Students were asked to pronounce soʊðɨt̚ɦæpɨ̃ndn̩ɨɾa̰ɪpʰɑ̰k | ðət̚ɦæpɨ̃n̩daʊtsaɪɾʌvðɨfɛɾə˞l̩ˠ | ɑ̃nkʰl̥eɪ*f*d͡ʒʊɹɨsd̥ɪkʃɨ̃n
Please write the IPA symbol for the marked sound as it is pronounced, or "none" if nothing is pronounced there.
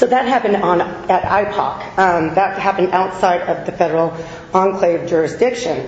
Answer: v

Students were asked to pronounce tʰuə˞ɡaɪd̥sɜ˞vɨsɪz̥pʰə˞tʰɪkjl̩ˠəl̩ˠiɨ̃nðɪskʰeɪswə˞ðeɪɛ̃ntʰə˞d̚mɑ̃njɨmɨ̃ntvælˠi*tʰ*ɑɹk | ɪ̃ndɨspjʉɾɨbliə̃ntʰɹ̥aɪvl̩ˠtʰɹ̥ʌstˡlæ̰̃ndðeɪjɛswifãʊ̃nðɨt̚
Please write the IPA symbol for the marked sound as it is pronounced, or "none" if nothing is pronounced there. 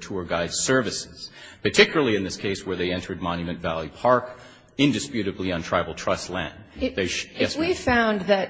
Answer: pʰ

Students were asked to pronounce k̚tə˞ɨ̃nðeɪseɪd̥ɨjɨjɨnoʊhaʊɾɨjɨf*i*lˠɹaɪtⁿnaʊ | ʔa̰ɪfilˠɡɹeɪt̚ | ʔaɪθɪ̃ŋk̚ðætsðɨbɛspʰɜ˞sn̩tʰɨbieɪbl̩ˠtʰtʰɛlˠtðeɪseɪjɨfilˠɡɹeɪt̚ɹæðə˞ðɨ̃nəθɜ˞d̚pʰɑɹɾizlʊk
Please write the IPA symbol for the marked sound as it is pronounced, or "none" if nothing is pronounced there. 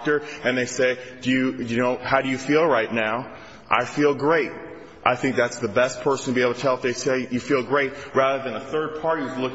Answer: i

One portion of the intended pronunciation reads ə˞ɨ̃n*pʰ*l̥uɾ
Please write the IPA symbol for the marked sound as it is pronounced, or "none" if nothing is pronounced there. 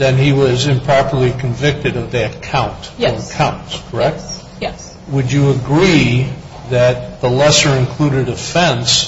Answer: kʰ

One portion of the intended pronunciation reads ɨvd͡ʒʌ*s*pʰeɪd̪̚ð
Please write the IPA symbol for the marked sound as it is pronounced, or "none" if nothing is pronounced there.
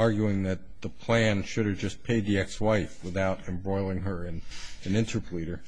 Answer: s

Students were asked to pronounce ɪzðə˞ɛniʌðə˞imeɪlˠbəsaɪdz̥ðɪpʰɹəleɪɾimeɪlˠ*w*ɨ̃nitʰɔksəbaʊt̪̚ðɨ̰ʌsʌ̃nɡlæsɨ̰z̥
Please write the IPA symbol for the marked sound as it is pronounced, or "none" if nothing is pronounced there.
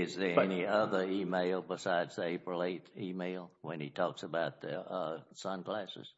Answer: w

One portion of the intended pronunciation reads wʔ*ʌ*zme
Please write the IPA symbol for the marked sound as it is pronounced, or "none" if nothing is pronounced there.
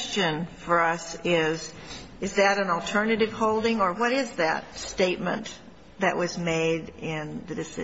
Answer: ʌ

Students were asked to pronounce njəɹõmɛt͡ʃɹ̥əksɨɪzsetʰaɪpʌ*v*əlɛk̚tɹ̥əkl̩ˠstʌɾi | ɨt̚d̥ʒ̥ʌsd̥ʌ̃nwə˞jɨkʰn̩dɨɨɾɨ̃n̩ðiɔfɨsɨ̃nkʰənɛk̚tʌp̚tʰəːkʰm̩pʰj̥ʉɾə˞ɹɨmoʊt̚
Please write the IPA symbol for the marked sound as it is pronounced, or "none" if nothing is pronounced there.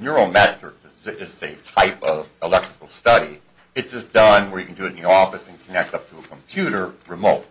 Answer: v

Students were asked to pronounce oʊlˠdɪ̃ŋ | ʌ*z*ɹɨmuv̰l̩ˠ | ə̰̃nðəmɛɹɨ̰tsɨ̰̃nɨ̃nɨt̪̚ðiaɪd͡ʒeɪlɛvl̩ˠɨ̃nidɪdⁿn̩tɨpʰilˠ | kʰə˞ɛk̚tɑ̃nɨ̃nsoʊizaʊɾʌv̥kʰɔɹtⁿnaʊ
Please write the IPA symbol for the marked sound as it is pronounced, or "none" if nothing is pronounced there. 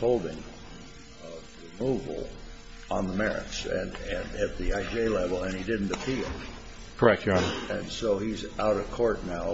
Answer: v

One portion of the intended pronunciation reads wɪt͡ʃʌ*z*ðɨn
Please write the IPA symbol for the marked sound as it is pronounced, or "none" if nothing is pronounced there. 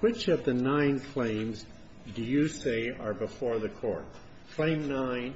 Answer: v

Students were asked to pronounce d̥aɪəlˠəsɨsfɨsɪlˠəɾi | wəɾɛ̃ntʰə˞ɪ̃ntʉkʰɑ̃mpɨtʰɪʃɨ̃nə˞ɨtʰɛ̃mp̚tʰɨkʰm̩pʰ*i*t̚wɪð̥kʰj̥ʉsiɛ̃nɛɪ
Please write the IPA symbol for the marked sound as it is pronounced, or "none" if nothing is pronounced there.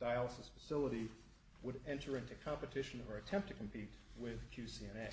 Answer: i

